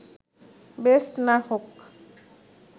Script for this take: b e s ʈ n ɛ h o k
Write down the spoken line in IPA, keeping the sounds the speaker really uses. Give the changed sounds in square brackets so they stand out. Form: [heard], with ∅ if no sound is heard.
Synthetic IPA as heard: b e s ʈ n [a] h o k